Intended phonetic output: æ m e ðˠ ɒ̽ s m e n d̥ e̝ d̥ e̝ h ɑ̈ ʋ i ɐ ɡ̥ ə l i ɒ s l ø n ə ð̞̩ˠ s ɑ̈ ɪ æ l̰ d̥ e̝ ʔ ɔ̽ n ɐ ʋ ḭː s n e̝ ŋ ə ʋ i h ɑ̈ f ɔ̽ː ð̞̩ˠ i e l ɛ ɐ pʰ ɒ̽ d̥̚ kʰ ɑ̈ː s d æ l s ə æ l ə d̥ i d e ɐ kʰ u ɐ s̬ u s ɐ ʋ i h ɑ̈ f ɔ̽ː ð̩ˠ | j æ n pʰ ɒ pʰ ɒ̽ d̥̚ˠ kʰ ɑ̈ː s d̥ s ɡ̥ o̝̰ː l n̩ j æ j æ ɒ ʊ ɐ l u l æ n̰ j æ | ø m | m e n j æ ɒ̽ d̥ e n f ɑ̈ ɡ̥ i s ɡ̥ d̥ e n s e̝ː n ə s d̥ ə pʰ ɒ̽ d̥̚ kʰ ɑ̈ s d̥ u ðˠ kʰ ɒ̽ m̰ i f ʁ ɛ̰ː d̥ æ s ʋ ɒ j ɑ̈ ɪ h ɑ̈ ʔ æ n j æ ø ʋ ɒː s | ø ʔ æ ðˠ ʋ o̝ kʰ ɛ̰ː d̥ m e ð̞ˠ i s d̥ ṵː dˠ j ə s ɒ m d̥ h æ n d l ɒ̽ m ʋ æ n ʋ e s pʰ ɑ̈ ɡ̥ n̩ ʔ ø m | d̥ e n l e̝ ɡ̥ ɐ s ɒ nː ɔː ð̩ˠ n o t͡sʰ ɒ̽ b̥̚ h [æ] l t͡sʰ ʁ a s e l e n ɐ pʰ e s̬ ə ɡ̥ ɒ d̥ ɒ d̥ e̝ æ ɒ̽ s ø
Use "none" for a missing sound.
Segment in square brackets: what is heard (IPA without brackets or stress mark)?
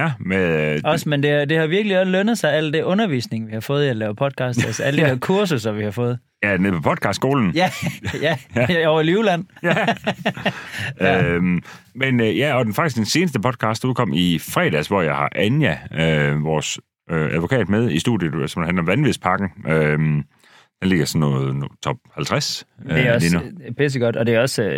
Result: æ